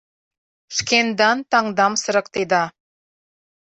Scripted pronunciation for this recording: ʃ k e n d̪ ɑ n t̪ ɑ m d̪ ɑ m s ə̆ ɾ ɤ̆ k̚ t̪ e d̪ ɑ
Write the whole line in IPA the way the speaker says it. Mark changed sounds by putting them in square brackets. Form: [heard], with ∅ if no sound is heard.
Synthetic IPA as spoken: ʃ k e n d̪ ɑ n t̪ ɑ [ŋ] d̪ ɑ m s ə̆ ɾ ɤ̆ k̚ t̪ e d̪ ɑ